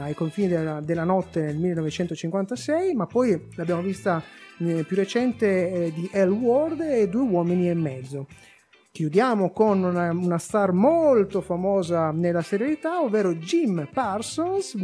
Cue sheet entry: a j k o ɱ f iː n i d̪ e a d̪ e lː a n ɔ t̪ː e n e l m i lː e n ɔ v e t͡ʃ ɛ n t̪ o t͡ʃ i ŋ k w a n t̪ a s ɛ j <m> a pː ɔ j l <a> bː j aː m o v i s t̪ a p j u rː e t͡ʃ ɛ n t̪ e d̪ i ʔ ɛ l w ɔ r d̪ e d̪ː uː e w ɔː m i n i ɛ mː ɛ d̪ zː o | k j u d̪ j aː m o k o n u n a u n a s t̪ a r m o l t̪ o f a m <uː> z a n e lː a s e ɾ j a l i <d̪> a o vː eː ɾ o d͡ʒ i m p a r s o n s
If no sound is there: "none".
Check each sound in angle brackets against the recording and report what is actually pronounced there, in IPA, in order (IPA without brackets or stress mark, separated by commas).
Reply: m, a, ɔː, t̪